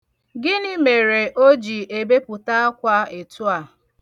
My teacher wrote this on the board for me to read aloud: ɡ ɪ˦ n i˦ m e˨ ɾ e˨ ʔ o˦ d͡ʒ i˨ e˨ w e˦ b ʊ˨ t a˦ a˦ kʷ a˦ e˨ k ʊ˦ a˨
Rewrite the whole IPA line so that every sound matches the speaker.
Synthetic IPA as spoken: ɡ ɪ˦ n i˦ m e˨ ɾ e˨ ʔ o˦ d͡ʒ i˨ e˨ b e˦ p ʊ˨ t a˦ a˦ kʷ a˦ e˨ t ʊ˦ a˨